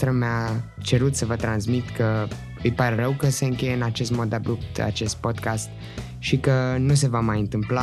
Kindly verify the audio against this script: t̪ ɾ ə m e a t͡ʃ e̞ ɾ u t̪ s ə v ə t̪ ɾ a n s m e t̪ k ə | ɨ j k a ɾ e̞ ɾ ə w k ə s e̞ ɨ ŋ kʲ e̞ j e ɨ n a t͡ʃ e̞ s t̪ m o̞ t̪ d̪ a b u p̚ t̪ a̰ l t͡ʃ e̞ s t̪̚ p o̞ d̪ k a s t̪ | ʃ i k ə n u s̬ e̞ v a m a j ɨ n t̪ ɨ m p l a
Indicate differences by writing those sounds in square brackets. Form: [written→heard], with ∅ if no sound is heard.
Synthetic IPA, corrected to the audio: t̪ ɾ ə m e a t͡ʃ e̞ ɾ u t̪ s ə v ə t̪ ɾ a n s m [e→i] t̪ k ə | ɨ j [k→p] a ɾ e̞ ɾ ə w k ə s e̞ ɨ ŋ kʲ e̞ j e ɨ n a t͡ʃ e̞ s t̪ m o̞ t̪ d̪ a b u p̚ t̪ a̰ [l→∅] t͡ʃ e̞ s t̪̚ p o̞ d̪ k a s t̪ | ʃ i k ə n u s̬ e̞ v a m a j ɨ n t̪ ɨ m p l a